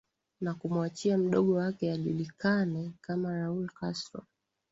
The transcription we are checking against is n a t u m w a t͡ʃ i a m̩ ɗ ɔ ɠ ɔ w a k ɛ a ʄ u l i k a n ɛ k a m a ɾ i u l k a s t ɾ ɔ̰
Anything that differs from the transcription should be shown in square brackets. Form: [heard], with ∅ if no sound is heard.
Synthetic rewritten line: n a [k] u m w a t͡ʃ i a m̩ ɗ ɔ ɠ ɔ w a k ɛ a ʄ u l i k a n ɛ k a m a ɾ [a] u l k a s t ɾ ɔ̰